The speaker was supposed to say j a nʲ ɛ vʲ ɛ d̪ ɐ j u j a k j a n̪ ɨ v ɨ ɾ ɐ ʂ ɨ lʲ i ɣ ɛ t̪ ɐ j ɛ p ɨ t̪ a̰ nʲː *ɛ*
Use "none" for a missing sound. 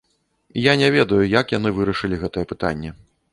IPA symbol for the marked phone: ɛ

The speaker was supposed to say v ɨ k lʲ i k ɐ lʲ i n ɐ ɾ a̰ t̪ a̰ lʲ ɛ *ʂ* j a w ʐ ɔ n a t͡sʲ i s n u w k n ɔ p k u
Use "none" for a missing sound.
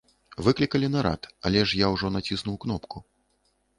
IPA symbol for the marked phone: ʂ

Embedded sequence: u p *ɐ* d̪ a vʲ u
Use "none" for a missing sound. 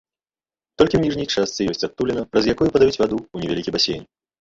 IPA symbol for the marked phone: ɐ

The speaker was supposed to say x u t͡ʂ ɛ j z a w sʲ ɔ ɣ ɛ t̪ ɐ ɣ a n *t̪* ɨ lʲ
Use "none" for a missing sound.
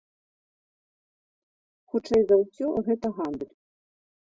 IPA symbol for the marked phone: d̪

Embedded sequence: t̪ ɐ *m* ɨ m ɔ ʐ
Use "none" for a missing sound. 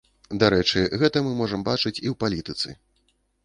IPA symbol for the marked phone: m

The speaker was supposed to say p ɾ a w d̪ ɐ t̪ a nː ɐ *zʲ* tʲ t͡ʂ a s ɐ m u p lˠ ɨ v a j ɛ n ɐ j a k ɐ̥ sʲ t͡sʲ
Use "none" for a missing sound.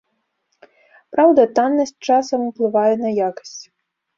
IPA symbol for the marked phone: sʲ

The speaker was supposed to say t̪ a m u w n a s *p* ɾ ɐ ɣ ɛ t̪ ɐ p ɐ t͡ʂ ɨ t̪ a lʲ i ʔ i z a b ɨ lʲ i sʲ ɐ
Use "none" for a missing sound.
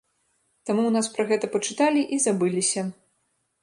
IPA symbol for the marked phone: p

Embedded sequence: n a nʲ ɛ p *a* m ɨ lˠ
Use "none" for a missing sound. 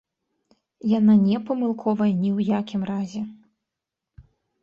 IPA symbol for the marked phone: ɐ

